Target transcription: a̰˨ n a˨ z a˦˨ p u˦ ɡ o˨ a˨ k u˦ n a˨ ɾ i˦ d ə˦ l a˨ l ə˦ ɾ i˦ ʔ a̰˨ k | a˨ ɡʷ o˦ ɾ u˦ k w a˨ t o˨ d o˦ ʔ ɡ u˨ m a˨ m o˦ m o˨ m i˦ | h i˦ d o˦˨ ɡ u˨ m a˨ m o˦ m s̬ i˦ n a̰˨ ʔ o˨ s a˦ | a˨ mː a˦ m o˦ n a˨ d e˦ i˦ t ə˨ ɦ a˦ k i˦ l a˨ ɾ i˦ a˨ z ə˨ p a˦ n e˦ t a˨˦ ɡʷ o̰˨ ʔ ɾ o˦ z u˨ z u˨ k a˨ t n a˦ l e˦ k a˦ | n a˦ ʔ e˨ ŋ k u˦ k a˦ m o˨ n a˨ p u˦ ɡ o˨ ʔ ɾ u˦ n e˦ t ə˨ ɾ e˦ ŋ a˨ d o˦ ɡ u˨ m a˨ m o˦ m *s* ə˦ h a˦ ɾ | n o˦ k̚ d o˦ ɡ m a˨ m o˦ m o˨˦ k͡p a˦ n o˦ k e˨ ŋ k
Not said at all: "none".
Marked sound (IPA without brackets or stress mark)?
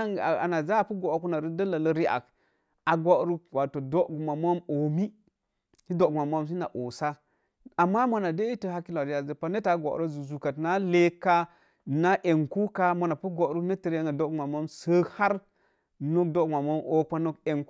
s